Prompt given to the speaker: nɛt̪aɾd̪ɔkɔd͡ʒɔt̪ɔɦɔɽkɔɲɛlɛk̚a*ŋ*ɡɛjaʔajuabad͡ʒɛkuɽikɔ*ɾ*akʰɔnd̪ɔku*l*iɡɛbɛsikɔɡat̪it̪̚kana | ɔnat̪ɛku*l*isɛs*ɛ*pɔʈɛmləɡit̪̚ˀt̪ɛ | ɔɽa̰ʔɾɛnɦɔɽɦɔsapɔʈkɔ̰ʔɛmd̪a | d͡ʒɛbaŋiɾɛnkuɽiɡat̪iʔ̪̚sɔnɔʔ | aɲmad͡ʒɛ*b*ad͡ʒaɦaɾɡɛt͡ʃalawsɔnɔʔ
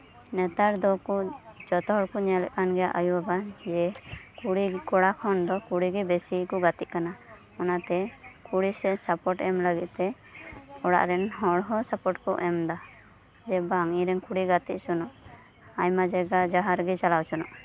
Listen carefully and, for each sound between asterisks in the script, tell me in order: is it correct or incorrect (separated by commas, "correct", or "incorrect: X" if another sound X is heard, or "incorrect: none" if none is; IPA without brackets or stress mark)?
incorrect: n, incorrect: ɽ, incorrect: ɽ, incorrect: ɽ, incorrect: a, incorrect: ɡ